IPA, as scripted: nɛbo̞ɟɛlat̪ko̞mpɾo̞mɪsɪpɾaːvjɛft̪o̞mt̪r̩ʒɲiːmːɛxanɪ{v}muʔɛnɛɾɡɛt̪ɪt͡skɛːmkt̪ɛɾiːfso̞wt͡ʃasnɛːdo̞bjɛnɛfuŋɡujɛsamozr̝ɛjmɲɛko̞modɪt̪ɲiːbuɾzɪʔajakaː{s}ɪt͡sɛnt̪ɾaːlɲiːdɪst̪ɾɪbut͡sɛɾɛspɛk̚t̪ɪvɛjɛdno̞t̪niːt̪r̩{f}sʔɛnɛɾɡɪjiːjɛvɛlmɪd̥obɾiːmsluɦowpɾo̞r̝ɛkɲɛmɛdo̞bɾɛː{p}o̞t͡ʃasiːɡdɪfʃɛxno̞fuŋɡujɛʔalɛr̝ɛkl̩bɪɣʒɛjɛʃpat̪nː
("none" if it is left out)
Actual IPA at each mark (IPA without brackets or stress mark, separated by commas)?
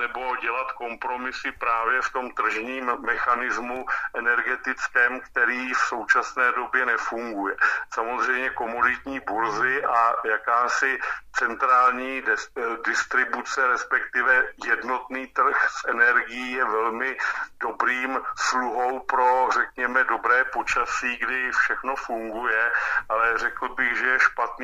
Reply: z, s, x, p